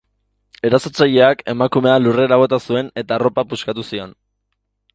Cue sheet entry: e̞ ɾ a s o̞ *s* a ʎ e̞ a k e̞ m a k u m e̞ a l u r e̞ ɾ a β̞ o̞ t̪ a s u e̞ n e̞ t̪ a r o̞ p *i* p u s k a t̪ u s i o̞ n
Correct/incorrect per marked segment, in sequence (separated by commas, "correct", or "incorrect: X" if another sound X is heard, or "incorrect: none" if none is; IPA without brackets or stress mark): incorrect: t͡s, incorrect: a